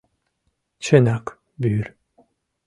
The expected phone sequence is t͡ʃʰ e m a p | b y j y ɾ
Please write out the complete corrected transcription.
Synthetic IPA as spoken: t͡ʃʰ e n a k | b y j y ɾ